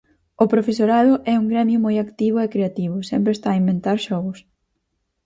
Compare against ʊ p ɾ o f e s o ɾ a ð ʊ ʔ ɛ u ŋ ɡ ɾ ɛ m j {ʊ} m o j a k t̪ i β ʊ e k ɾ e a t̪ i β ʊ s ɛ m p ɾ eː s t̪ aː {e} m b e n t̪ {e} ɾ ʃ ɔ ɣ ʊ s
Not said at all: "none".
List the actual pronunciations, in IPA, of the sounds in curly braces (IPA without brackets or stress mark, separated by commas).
ʊ, i, a